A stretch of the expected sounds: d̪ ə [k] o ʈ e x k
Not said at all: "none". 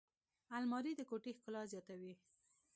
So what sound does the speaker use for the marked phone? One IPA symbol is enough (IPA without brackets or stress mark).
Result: k